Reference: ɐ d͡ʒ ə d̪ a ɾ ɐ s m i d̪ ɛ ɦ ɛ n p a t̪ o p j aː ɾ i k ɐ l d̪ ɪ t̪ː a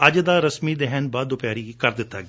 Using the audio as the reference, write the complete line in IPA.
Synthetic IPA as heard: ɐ d͡ʒ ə d̪ a ɾ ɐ s m i d̪ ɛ ɦ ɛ n b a d̪ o p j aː ɾ i k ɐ ɾ d̪ ɪ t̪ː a